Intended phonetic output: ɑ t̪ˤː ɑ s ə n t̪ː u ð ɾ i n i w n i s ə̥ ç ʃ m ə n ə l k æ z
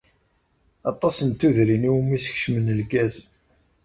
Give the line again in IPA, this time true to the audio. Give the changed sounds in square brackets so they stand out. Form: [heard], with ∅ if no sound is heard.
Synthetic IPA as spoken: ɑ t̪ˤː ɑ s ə n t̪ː u ð ɾ i n i w [m] i s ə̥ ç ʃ m ə n ə l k æ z